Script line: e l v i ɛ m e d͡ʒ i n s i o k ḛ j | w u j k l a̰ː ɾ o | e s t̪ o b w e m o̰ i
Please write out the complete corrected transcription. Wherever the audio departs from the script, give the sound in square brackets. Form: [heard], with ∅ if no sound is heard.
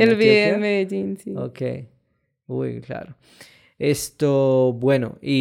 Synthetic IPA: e l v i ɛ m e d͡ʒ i n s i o k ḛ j | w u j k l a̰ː ɾ o | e s t̪ o b w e [n] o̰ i